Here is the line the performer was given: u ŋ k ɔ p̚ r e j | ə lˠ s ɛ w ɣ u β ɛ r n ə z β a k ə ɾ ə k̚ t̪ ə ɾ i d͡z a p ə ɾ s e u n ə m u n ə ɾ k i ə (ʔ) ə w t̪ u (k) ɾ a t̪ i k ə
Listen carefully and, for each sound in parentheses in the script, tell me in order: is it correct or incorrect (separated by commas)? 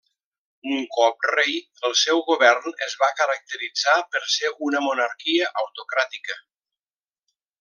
correct, correct